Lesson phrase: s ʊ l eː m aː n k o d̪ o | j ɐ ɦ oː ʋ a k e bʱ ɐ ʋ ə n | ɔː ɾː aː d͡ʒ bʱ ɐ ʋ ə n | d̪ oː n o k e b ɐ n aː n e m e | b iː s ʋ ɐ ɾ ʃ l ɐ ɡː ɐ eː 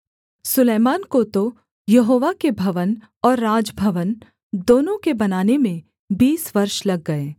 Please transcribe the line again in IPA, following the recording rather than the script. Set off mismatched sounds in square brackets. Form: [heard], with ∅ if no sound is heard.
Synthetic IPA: s ʊ l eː m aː n k o [t̪] o | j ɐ ɦ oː ʋ a k e bʱ ɐ ʋ ə n | ɔː ɾː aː d͡ʒ bʱ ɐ ʋ ə n | d̪ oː n [õ] k e b ɐ n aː n e m [ẽ] | b iː s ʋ ɐ ɾ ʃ l ɐ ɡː ɐ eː

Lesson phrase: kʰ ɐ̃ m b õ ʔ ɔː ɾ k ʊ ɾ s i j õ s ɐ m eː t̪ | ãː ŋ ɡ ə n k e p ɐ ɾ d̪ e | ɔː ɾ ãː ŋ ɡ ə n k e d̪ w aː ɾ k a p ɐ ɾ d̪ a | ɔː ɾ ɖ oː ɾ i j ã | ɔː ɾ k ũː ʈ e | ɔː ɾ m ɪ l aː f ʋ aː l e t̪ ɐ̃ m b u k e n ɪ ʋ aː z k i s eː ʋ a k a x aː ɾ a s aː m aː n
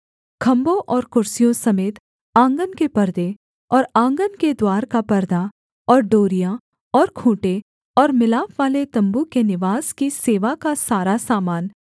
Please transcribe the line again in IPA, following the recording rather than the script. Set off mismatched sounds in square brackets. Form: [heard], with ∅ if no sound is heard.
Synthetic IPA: kʰ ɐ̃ m b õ ʔ ɔː ɾ k ʊ ɾ s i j õ s ɐ m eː t̪ | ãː ŋ ɡ ə n k e p ɐ ɾ d̪ e | ɔː ɾ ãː ŋ ɡ ə n k e d̪ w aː ɾ k a p ɐ ɾ d̪ a | ɔː ɾ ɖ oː ɾ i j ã | ɔː ɾ [kʰ] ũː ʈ e | ɔː ɾ m ɪ l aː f ʋ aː l e t̪ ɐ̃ m b u k e n ɪ ʋ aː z k i s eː ʋ a k a [s] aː ɾ a s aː m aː n

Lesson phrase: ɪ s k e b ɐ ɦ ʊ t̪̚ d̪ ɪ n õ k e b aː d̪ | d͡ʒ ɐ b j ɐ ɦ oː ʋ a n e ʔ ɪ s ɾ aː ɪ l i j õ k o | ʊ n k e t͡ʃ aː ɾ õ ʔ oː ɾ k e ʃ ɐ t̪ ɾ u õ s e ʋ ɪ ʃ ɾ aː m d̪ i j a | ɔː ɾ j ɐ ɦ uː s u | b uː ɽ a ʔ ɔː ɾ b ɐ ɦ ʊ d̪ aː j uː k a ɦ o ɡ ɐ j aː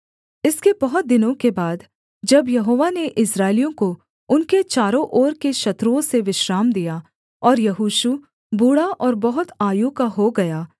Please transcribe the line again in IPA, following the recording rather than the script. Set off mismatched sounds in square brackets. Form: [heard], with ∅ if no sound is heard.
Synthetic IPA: ɪ s k e b ɐ ɦ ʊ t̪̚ d̪ ɪ n õ k e b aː d̪ | d͡ʒ ɐ b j ɐ ɦ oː ʋ a n e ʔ ɪ s ɾ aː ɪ l i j õ k o | ʊ n k e t͡ʃ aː ɾ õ ʔ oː ɾ k e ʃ ɐ t̪ ɾ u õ s e ʋ ɪ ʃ ɾ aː m d̪ i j a | ɔː ɾ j ɐ ɦ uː [ʃ] u | b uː ɽ a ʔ ɔː ɾ b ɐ ɦ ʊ [t̪] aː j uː k a ɦ o ɡ ɐ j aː

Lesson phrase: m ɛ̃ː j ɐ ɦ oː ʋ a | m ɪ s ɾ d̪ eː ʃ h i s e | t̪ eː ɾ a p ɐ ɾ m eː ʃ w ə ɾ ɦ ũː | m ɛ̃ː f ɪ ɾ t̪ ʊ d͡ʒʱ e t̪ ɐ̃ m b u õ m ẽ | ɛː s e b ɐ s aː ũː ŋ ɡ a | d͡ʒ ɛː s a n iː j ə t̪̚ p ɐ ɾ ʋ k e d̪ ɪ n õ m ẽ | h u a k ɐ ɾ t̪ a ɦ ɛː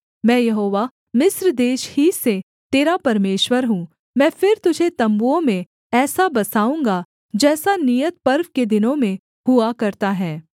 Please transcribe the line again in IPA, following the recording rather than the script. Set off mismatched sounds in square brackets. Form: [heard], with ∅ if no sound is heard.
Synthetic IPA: m ɛ̃ː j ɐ ɦ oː ʋ a | m ɪ s ɾ d̪ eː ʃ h i s e | t̪ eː ɾ a p ɐ ɾ m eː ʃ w ə ɾ ɦ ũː | m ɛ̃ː f ɪ ɾ t̪ ʊ d͡ʒʱ e t̪ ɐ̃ m b u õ m ẽ | ɛː s [a] b ɐ s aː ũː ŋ ɡ a | d͡ʒ ɛː s a n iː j ə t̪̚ p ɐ ɾ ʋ k e d̪ ɪ n õ m ẽ | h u a k ɐ ɾ t̪ a ɦ ɛː

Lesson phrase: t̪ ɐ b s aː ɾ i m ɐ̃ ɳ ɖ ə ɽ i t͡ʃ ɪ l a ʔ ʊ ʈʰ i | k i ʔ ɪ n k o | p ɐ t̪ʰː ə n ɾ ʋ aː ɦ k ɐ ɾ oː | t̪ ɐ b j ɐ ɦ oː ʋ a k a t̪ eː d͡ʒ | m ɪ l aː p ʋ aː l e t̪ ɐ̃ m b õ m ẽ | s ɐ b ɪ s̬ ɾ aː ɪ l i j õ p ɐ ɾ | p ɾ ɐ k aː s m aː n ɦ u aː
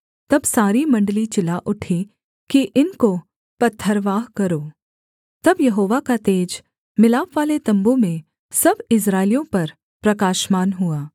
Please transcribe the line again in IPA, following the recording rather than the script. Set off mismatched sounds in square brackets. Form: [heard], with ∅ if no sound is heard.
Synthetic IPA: t̪ ɐ b s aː ɾ i m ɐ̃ ɳ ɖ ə [l] i t͡ʃ ɪ l a ʔ ʊ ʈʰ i | k i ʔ ɪ n k o | p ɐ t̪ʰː ə [∅] ɾ ʋ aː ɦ k ɐ ɾ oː | t̪ ɐ b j ɐ ɦ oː ʋ a k a t̪ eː d͡ʒ | m ɪ l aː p ʋ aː l e t̪ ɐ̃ m b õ m ẽ | s ɐ b ɪ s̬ ɾ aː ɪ l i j õ p ɐ ɾ | p ɾ ɐ k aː [ʃ] m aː n ɦ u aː

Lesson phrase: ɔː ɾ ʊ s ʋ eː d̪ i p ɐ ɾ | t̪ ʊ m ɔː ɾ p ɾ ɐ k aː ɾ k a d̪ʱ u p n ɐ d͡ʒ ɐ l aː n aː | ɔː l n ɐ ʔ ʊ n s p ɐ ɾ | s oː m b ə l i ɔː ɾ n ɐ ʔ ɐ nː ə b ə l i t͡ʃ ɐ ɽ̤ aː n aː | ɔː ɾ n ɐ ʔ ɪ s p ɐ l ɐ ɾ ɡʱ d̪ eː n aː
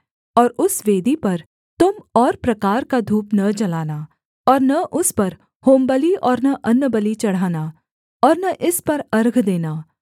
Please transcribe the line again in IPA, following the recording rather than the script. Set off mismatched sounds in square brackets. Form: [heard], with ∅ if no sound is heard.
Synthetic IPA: ɔː ɾ ʊ s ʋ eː d̪ i p ɐ ɾ | t̪ ʊ m ɔː ɾ p ɾ ɐ k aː ɾ k a d̪ʱ [uː] p n ɐ d͡ʒ ɐ l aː n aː | ɔː [ɾ] n ɐ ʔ ʊ [∅] s p ɐ ɾ | [h] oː m b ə l i ɔː ɾ n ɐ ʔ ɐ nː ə b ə l i t͡ʃ ɐ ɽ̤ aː n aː | ɔː ɾ n ɐ ʔ ɪ s p ɐ [ɾ] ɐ ɾ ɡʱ d̪ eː n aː

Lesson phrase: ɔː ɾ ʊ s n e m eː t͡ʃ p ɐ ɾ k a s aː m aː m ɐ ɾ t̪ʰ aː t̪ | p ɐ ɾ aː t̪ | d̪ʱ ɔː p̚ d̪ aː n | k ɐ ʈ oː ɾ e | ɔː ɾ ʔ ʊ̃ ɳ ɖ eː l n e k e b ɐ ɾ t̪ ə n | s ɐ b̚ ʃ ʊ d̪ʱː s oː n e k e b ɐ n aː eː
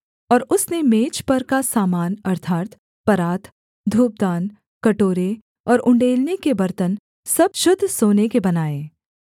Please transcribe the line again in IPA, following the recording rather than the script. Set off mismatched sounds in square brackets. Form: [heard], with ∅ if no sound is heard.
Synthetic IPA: ɔː ɾ ʊ s n e m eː t͡ʃ p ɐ ɾ k a s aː m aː [n] ɐ ɾ t̪ʰ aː t̪ | p ɐ ɾ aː t̪ | d̪ʱ [uː] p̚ d̪ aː n | k ɐ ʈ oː ɾ e | ɔː ɾ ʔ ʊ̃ ɳ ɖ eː l n e k e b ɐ ɾ t̪ ə n | s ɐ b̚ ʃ ʊ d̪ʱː s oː n e k e b ɐ n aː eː

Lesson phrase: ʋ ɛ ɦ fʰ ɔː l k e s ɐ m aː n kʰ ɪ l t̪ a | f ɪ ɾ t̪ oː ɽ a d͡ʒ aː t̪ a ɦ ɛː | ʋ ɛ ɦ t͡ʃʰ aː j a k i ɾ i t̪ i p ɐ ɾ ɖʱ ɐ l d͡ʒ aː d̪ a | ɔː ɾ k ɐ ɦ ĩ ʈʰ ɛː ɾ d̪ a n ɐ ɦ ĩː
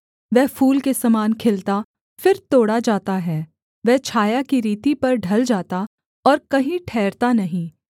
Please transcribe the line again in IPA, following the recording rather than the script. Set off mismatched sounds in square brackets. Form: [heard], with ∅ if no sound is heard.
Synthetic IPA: ʋ ɛ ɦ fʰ [uː] l k e s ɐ m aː n kʰ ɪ l t̪ a | f ɪ ɾ t̪ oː ɽ a d͡ʒ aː t̪ a ɦ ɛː | ʋ ɛ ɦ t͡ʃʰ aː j a k i ɾ [iː] t̪ i p ɐ ɾ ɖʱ ɐ l d͡ʒ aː [t̪] a | ɔː ɾ k ɐ ɦ ĩ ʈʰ ɛː ɾ [t̪] a n ɐ ɦ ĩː

